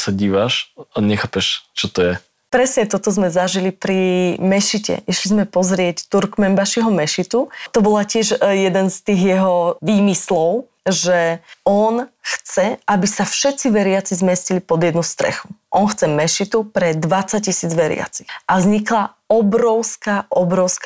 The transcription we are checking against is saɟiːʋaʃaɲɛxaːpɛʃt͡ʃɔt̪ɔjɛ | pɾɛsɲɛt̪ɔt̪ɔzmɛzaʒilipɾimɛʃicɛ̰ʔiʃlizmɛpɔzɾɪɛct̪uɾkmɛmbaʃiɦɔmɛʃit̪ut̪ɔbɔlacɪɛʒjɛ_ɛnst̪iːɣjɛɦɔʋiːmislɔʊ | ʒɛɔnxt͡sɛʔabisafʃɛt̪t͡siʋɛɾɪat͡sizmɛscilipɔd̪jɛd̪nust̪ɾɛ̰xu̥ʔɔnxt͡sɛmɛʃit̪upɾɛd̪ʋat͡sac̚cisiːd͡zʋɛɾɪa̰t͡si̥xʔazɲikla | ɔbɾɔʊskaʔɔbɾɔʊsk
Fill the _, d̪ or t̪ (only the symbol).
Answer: d̪